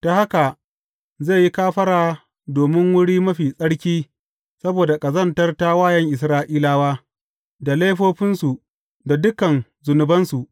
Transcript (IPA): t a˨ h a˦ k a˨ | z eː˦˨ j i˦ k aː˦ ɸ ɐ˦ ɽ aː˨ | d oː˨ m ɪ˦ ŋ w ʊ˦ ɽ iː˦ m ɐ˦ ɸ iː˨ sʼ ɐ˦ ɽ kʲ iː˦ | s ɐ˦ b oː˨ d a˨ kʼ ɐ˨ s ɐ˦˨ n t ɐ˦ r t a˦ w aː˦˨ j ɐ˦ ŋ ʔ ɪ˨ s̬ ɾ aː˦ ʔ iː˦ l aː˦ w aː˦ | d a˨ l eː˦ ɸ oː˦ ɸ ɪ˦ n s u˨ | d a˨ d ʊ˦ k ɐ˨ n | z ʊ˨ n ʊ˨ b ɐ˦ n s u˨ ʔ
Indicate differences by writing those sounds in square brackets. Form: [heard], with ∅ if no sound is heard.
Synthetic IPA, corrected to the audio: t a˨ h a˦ k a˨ | z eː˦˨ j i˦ k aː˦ ɸ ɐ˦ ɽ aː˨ | d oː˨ m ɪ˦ ŋ w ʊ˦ ɽ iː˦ m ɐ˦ ɸ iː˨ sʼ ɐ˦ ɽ kʲ iː˦ | s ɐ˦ b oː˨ d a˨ kʼ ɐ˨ [z] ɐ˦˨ n t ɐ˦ r t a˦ w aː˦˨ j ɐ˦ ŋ ʔ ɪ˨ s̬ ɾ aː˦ ʔ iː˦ l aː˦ w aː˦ | d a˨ l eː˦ ɸ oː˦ ɸ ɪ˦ n s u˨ | d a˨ d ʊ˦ k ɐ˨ n | z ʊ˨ n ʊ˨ b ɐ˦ n s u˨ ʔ